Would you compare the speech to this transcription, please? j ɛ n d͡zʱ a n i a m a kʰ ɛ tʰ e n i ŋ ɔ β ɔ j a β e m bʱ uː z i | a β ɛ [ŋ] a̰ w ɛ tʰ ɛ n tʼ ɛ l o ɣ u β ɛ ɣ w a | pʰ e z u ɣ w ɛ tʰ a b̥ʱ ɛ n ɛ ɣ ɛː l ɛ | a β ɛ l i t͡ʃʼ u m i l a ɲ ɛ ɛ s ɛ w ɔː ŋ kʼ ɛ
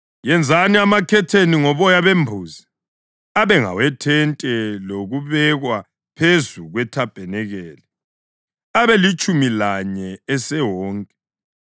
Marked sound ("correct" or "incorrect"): correct